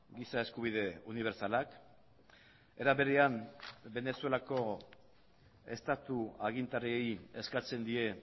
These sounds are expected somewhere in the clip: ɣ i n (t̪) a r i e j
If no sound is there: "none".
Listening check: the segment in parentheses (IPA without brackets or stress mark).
t̪